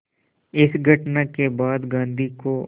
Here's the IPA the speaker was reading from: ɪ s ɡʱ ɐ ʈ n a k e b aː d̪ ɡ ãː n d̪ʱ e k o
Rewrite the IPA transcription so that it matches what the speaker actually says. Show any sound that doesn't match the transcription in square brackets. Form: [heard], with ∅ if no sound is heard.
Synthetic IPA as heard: ɪ s ɡʱ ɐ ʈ n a k e b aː d̪ ɡ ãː n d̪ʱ [i] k o